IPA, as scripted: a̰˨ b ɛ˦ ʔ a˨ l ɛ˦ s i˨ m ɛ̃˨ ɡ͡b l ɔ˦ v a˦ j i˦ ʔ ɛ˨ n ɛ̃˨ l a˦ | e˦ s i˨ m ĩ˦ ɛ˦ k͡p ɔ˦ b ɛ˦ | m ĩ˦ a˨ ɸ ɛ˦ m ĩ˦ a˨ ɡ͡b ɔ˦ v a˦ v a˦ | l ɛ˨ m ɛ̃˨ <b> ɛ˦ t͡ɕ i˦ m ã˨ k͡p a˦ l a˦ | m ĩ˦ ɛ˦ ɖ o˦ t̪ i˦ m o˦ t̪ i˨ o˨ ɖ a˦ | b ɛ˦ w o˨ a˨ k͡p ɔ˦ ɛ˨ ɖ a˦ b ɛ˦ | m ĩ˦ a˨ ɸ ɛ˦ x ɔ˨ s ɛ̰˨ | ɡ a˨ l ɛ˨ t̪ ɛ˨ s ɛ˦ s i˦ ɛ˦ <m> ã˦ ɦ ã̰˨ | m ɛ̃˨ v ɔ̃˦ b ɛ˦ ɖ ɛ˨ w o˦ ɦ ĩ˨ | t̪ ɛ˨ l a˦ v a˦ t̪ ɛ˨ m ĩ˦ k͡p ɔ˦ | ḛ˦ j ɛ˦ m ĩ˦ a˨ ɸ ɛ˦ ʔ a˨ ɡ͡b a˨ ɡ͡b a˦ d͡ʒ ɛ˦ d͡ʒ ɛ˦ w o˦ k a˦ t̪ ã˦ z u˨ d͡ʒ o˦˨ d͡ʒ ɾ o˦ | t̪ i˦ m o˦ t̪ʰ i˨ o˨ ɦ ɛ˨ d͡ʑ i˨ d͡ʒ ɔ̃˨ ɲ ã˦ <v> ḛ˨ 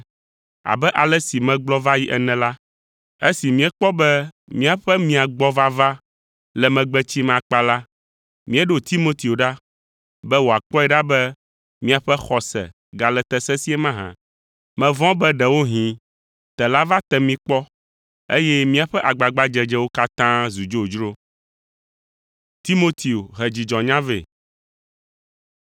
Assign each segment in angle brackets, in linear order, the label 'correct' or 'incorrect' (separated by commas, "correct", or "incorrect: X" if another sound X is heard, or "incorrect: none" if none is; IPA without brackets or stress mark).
incorrect: ɡ͡b, correct, correct